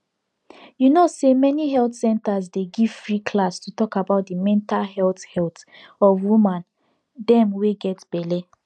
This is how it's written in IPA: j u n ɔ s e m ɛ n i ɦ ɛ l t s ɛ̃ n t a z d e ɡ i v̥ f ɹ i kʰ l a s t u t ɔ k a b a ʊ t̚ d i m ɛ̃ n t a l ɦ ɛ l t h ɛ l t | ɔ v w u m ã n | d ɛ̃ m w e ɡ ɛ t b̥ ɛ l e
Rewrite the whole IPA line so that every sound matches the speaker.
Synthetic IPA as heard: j u n o s e m ɛ n i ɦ ɛ l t s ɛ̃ n t a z d e ɡ i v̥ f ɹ i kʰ l a s t u t ɔ k a b a ʊ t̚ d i m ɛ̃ n t a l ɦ ɛ l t h ɛ l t | ɔ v w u m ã n | d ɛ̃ m w e ɡ ɛ t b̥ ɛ l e